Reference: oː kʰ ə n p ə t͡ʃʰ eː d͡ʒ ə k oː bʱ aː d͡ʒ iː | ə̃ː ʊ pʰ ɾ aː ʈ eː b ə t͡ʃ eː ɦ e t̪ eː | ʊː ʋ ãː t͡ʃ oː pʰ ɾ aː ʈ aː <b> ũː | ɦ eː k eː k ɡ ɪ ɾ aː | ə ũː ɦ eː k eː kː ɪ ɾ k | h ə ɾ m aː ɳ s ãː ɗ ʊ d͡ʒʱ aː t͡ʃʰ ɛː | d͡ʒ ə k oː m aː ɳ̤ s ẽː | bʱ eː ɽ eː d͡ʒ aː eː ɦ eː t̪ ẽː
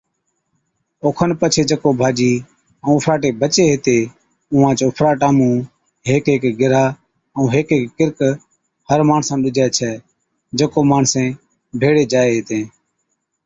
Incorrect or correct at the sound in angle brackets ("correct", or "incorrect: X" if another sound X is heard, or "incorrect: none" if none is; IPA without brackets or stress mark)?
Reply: incorrect: m